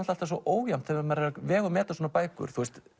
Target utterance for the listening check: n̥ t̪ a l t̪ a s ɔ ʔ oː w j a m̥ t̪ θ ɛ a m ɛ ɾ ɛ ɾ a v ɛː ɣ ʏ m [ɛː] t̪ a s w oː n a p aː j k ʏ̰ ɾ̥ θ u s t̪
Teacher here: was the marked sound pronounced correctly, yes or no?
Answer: yes